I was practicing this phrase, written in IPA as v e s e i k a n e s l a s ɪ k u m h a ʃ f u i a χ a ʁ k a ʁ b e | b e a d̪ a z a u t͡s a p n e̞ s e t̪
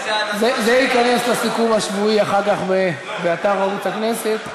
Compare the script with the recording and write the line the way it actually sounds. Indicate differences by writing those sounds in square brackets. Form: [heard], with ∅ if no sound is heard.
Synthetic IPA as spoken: [z] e [z] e i k a n e s l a s [i] k u m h a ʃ [v] u i a χ a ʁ k a [χ] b e | b e a [t̪] a [ʁ] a u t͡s a [k] n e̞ s e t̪